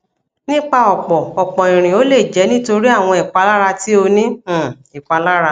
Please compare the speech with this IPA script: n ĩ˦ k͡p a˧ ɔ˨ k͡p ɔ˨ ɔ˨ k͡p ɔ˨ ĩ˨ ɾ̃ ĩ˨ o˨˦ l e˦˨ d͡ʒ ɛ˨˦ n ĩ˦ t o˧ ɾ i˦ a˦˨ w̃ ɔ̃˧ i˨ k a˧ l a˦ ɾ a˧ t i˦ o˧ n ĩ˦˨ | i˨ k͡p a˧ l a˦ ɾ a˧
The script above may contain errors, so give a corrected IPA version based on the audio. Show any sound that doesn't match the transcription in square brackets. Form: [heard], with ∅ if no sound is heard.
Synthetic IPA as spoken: n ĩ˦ k͡p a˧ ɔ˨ k͡p ɔ˨ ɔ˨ k͡p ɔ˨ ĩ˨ ɾ̃ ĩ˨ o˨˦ l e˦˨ d͡ʒ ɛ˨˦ n ĩ˦ t o˧ ɾ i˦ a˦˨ w̃ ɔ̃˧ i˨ [k͡p] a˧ l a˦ ɾ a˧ t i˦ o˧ n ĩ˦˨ | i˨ k͡p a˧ l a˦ ɾ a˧